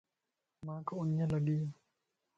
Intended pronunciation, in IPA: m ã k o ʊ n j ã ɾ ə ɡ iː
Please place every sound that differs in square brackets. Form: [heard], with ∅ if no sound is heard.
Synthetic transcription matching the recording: m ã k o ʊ n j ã [l] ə ɡ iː